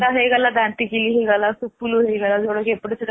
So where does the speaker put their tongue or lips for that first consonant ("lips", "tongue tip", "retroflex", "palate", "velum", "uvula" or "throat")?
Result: throat